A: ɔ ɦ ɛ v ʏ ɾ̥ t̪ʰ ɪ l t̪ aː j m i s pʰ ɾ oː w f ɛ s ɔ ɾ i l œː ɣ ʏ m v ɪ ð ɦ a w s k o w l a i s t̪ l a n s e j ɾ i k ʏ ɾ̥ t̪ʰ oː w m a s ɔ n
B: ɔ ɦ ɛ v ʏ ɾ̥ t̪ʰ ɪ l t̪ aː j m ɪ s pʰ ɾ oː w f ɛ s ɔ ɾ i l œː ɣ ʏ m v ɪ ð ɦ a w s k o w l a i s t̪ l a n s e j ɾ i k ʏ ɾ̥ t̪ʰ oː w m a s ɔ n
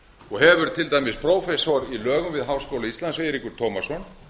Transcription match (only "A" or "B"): B